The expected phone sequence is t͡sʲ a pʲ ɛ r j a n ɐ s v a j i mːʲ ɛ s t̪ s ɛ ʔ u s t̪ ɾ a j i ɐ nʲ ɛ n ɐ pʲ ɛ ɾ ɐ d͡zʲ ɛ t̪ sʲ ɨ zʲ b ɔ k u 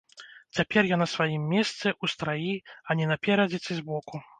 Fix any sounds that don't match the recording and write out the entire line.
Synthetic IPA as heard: t͡sʲ a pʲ ɛ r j a n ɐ s v a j i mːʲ ɛ s t̪ s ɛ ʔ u s t̪ ɾ a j i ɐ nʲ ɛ n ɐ pʲ ɛ ɾ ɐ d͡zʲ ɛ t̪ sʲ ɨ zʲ b ɔ k u